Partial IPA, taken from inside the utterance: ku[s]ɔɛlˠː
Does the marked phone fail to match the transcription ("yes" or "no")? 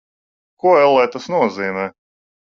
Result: yes